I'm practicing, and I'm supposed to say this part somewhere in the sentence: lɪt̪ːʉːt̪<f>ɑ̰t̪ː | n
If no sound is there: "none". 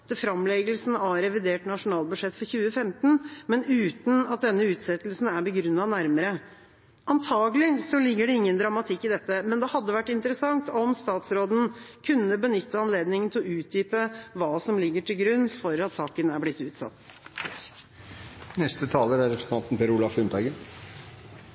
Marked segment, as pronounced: s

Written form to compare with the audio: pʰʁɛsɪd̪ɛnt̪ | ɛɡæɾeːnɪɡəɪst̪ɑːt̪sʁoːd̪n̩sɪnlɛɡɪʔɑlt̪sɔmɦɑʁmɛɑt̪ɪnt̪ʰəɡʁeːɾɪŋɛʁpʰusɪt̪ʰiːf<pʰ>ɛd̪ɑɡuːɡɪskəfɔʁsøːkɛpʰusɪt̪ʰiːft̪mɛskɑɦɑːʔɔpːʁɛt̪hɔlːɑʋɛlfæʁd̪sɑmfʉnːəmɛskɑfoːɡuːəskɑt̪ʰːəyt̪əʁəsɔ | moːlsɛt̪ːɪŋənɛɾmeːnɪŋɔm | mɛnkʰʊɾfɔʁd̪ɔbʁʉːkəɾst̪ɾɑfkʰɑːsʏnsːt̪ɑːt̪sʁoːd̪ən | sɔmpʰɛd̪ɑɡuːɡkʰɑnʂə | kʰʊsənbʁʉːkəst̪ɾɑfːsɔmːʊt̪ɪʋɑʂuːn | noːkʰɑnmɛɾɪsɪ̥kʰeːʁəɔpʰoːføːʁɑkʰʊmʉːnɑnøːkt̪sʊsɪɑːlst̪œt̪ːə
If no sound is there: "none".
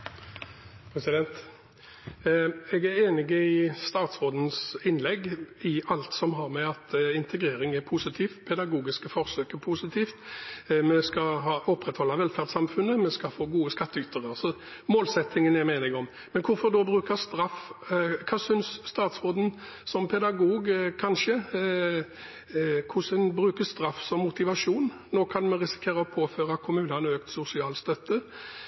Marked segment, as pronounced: pʰ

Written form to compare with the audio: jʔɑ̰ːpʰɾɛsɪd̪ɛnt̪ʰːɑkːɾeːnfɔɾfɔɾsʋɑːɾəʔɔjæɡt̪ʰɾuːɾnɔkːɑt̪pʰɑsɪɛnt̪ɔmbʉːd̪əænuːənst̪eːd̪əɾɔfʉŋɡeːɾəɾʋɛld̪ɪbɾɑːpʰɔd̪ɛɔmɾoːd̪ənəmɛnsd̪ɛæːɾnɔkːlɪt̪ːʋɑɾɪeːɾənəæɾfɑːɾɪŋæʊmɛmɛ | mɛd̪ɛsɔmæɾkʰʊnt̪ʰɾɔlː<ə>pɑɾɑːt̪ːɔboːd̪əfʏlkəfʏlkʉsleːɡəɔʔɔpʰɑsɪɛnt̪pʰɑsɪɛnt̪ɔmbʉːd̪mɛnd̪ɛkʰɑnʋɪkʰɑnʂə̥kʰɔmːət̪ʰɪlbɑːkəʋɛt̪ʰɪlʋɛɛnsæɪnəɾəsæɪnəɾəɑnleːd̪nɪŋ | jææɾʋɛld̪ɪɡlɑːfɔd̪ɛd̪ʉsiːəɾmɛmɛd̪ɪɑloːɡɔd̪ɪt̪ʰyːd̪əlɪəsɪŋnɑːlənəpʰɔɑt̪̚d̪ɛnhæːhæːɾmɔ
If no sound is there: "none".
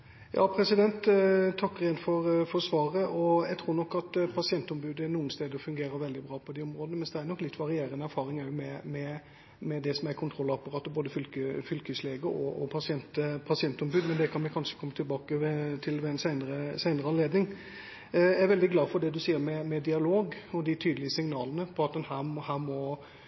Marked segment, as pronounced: ɑ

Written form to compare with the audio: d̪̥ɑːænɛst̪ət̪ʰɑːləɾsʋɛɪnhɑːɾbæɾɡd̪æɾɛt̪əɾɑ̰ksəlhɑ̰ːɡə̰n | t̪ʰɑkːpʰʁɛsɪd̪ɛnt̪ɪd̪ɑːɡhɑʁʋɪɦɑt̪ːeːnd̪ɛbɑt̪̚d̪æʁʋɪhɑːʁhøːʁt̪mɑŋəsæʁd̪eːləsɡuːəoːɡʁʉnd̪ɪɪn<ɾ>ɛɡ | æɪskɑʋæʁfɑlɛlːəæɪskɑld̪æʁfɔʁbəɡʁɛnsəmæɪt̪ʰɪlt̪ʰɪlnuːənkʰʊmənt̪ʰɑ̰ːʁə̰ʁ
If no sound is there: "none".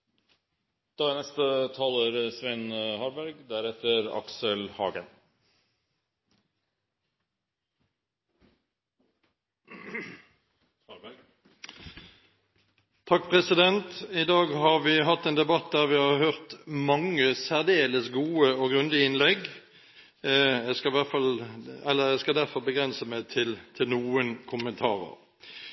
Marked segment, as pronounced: l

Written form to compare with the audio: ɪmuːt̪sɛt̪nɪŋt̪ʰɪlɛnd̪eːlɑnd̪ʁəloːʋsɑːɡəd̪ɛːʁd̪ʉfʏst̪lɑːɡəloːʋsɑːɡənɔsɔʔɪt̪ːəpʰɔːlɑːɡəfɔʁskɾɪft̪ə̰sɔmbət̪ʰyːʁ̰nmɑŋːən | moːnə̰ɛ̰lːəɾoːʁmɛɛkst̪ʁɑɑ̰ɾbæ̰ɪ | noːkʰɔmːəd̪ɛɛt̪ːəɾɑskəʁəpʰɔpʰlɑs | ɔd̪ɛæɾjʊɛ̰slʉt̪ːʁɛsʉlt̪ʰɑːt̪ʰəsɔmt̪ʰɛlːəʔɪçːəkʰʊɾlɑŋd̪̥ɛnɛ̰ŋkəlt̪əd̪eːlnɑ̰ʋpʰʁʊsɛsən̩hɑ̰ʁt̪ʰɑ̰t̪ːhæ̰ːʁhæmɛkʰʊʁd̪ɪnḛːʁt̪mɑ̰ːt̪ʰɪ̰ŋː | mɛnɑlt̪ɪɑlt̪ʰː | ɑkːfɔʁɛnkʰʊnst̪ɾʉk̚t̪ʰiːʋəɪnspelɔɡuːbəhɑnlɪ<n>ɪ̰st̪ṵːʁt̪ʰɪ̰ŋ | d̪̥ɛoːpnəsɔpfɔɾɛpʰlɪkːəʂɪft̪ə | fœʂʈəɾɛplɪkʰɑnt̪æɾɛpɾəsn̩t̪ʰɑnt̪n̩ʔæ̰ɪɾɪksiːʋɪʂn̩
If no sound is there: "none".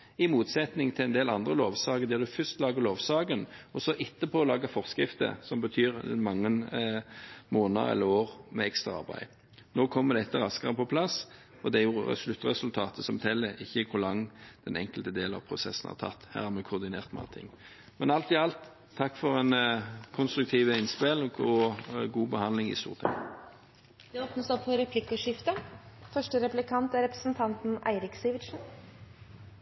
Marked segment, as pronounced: ŋ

